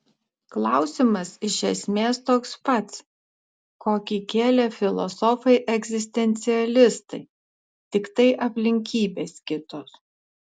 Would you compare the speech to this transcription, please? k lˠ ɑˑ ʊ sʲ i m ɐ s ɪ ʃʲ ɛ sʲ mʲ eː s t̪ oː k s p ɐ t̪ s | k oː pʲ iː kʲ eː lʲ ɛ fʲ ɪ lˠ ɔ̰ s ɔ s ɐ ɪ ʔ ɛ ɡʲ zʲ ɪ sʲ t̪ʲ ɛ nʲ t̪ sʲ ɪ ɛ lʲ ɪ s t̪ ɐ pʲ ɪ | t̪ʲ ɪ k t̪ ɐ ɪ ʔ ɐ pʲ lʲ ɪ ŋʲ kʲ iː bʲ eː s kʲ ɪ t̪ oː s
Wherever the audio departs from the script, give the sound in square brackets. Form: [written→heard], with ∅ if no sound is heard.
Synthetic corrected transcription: k lˠ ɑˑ ʊ sʲ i m ɐ s ɪ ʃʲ ɛ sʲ mʲ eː s t̪ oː k s p ɐ t̪ s | k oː [pʲ→kʲ] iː kʲ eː lʲ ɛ fʲ ɪ lˠ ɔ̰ s ɔ [s→f] ɐ ɪ ʔ ɛ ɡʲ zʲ ɪ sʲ t̪ʲ ɛ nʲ t̪ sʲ ɪ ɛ lʲ ɪ s t̪ ɐ [pʲ→∅] ɪ | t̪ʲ ɪ k t̪ ɐ ɪ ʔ ɐ pʲ lʲ ɪ ŋʲ kʲ iː bʲ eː s kʲ ɪ t̪ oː s